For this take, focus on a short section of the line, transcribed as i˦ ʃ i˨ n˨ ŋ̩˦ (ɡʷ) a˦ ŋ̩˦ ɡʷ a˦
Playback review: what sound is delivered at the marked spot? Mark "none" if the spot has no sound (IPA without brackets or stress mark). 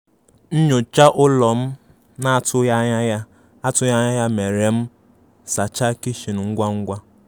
ɡʷ